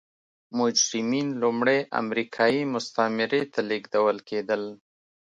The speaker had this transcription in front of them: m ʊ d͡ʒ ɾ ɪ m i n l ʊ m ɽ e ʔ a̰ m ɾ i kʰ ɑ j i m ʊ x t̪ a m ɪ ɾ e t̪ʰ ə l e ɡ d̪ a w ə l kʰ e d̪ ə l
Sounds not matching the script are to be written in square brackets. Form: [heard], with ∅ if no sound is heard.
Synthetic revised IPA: m ʊ d͡ʒ ɾ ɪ m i n l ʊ m ɽ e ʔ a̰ m ɾ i kʰ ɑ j i m ʊ [s] t̪ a m ɪ ɾ e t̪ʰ [a] l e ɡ d̪ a w ə l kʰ e d̪ ə l